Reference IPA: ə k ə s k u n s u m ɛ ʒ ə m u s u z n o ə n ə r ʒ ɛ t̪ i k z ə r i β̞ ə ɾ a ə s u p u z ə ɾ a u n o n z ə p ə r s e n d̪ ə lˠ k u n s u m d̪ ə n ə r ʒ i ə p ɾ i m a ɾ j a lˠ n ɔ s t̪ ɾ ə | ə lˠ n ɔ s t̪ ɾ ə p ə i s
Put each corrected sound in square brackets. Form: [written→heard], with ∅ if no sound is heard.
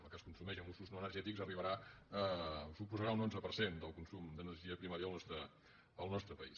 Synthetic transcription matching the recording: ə k ə s k u n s u m ɛ ʒ ə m u s u z n o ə n ə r ʒ ɛ t̪ i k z ə r i β̞ ə ɾ a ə s u p u z ə ɾ a u n o n z ə p ə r s e n d̪ ə lˠ k u n s u m d̪ ə n ə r ʒ i ə p ɾ i m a ɾ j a lˠ n ɔ s t̪ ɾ ə | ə lˠ n ɔ s t̪ ɾ ə p ə i s